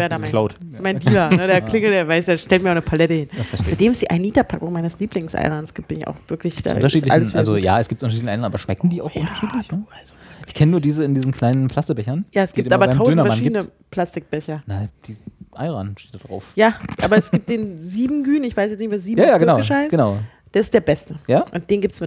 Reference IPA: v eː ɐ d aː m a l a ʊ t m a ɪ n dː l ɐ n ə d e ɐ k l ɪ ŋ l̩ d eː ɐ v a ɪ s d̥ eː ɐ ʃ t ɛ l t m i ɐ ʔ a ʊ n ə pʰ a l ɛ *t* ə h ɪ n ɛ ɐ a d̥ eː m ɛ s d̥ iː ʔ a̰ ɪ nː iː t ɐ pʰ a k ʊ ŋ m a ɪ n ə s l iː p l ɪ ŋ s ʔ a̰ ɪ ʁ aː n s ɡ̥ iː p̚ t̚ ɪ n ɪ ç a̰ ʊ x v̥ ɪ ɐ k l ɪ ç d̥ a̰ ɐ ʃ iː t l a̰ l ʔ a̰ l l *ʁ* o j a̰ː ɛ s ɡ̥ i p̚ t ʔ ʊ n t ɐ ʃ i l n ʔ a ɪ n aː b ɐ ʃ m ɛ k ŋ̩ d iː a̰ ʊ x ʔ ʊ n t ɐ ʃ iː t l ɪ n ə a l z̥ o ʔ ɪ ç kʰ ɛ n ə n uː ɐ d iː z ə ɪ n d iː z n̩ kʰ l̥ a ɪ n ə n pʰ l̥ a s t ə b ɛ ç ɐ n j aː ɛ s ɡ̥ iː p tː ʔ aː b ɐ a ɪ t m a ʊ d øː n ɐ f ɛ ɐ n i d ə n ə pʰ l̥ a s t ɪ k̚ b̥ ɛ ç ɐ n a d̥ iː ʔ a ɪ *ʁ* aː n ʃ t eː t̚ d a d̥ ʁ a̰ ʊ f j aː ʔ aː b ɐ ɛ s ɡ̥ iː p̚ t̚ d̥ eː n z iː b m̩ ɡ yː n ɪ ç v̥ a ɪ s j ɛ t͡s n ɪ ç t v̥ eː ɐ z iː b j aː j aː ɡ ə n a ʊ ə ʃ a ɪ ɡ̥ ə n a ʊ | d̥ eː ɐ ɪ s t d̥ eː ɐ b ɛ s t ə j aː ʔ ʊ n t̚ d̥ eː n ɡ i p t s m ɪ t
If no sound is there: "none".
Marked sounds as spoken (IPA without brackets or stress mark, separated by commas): t, z, ʁ